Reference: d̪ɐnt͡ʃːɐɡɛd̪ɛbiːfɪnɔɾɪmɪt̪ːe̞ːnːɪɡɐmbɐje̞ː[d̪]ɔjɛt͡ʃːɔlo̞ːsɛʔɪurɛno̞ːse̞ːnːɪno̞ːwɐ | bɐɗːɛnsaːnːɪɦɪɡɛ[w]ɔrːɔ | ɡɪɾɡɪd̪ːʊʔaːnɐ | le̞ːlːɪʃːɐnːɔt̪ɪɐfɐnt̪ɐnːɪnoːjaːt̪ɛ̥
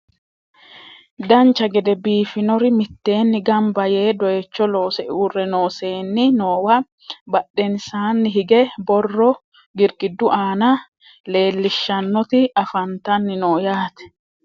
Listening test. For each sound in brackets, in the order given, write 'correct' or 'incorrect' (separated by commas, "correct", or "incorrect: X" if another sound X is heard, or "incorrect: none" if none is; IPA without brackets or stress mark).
correct, incorrect: b